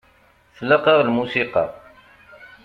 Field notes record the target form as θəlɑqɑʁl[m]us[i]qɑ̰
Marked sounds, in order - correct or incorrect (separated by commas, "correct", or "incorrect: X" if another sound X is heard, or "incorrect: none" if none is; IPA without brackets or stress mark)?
correct, correct